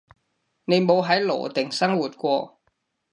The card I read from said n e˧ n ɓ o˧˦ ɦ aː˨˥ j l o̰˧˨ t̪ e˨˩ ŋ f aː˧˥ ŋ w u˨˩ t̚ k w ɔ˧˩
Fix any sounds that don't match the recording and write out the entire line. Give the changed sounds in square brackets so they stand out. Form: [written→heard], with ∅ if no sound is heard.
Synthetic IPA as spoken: n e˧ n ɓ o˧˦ ɦ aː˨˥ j l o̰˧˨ t̪ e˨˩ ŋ [f→s] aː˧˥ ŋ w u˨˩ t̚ k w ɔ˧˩